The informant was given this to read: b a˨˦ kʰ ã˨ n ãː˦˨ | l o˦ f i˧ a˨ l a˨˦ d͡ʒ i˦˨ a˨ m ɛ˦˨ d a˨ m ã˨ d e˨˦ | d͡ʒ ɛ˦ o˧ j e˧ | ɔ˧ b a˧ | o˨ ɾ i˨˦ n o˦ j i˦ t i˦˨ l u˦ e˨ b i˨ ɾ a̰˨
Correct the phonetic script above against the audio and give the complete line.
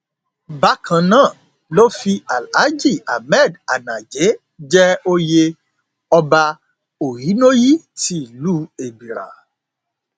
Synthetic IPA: b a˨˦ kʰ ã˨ n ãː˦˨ | l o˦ f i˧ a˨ l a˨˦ d͡ʒ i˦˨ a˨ m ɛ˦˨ d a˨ n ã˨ d͡ʒ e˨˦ | d͡ʒ ɛ˦ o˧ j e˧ | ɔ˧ b a˧ | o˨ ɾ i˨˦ n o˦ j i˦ t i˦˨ l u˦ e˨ b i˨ ɾ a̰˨